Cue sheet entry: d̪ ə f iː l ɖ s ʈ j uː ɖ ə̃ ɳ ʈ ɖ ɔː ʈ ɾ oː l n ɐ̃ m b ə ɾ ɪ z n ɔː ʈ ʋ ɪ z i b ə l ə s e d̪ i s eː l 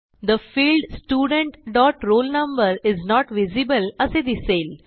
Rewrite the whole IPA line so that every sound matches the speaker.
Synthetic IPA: d̪ ə f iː l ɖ s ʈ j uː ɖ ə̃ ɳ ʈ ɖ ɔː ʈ ɾ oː l n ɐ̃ m b ə ɾ ɪ z n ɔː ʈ ʋ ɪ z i b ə l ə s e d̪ i s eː l

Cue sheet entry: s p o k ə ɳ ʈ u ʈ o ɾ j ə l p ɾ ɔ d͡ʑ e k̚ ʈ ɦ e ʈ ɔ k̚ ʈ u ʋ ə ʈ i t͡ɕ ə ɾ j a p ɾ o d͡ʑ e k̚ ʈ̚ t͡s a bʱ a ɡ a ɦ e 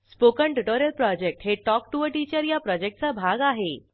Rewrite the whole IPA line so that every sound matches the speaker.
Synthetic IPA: s p o k ə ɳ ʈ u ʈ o ɾ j ə l p ɾ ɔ d͡ʑ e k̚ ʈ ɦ e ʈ ɔ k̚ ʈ u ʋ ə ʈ i t͡ɕ ə ɾ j a p ɾ ɔ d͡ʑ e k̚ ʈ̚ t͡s a bʱ a ɡ a ɦ e

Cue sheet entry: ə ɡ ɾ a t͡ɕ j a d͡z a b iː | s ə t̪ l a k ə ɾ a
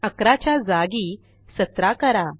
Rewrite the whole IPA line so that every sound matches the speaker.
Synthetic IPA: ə k ɾ a t͡ɕ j a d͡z a ɡ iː | s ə t̪ ɾ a k ə ɾ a

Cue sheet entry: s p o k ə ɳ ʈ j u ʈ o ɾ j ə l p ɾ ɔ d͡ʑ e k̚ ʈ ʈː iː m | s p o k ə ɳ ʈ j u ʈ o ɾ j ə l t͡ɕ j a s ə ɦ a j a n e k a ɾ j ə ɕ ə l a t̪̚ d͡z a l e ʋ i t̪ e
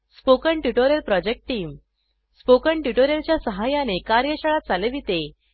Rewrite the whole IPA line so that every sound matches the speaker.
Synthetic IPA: s p o k ə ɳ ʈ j u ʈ o ɾ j ə l p ɾ ɔ d͡ʑ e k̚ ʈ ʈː iː m | s p o k ə ɳ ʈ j u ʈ o ɾ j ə l t͡ɕ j a s ə ɦ a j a n e k a ɾ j ə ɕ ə ɭ a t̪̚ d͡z a l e ʋ i t̪ e

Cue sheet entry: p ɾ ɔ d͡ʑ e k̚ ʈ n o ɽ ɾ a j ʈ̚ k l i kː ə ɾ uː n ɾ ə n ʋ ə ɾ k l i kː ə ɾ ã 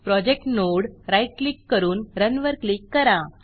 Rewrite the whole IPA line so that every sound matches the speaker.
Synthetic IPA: p ɾ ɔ d͡ʑ e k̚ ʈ n o ɽ ɾ a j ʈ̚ k l i kː ə ɾ uː n ɾ ə n ʋ ə ɾ k l i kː ə ɾ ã

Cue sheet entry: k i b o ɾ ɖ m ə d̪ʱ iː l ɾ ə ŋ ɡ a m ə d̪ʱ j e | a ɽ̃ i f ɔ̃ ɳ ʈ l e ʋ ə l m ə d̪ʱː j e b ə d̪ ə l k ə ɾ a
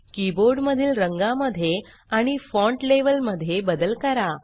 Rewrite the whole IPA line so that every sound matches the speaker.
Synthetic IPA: k i b o ɾ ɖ m ə d̪ʱ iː l ɾ ə ŋ ɡ a m ə d̪ʱ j e | a ɽ̃ i f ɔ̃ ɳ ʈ l e ʋ ə l m ə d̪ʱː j e b ə d̪ ə l k ə ɾ a

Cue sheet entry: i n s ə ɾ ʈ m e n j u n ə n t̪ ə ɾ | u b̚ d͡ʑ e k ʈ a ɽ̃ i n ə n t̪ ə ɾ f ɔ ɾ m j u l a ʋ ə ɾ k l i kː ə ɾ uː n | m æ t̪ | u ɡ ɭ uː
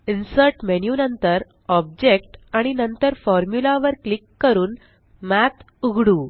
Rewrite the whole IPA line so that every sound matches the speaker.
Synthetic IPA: i n s ə ɾ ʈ m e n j u n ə n t̪ ə ɾ | ɔ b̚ d͡ʑ e k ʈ a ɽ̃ i n ə n t̪ ə ɾ f ɔ ɾ m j u l a ʋ ə ɾ k l i kː ə ɾ uː n | m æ t̪ | u ɡ ɽ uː

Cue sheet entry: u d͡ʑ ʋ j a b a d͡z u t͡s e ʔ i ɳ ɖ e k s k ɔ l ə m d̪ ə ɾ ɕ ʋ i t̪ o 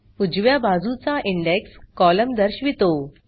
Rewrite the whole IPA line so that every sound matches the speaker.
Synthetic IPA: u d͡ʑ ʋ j a b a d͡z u t͡s a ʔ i ɳ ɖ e k s k ɔ l ə m d̪ ə ɾ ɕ ʋ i t̪ o

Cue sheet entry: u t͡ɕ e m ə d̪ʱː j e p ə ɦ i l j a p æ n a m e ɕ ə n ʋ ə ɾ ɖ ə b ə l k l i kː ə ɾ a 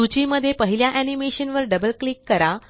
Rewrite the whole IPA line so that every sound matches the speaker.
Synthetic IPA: u t͡ɕ i m ə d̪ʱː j e p ə ɦ i l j a ʔ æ n i m e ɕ ə n ʋ ə ɾ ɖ ə b ə l k l i kː ə ɾ a

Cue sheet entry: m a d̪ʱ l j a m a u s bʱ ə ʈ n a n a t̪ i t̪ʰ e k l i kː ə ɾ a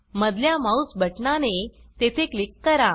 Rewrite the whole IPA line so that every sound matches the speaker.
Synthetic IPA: m ə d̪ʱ l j a m a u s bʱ ə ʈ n a n e t̪ e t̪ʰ e k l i kː ə ɾ a

